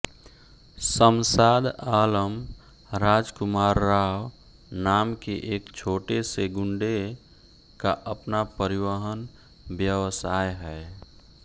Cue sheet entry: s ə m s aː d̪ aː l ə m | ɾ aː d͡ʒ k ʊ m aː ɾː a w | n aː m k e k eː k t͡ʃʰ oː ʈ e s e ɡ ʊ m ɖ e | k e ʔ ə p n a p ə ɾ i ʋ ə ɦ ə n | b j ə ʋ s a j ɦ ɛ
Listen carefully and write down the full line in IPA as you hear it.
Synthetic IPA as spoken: s ə m s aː d̪ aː l ə m | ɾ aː d͡ʒ k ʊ m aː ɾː a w | n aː m k e ʔ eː k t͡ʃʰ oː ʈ e s e ɡ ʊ ɳ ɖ e | k a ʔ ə p n a p ə ɾ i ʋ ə ɦ ə n | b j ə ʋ s a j ɦ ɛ